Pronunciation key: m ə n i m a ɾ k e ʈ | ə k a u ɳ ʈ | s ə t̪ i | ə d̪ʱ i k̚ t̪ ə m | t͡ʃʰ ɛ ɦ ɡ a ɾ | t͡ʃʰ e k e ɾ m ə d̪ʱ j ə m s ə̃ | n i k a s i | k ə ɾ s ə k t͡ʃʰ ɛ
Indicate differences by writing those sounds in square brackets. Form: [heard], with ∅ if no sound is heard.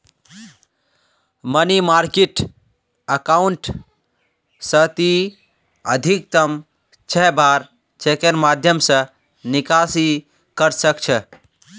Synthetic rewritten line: m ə n i m a ɾ k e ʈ | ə k a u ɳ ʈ | s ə t̪ i | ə d̪ʱ i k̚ t̪ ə m | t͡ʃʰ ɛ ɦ [b] a ɾ | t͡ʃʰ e k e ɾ m [a] d̪ʱ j ə m s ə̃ | n i k a s i | k ə ɾ s ə k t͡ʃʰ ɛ